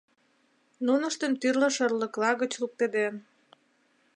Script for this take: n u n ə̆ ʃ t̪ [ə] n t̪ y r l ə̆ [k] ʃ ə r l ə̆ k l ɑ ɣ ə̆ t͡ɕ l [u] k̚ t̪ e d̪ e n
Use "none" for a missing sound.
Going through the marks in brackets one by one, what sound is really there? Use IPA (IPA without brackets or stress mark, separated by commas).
ə, none, u